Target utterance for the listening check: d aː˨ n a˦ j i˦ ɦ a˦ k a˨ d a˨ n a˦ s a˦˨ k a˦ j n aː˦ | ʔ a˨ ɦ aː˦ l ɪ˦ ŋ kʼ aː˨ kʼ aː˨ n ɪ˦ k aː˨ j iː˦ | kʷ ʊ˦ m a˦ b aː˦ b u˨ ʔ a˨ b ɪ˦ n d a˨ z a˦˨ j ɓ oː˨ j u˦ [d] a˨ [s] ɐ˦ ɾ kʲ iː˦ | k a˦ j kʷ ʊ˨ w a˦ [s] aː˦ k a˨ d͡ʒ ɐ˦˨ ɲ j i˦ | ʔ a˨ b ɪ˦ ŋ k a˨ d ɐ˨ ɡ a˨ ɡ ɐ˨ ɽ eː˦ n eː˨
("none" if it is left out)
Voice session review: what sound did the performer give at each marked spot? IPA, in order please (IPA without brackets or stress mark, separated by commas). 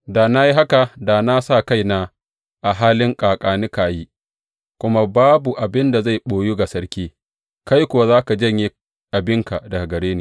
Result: ɡ, s, z